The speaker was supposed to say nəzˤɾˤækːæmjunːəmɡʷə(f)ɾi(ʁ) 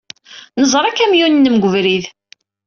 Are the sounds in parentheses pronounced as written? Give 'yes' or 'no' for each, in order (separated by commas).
no, no